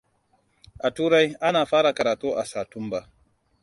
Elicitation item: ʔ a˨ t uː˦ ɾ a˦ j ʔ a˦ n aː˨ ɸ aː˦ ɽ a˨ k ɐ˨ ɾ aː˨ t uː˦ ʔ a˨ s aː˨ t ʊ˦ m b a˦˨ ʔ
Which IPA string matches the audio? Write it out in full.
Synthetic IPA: ʔ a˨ t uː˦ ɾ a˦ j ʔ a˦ n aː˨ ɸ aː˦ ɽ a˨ k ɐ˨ ɾ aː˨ t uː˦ ʔ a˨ s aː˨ t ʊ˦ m b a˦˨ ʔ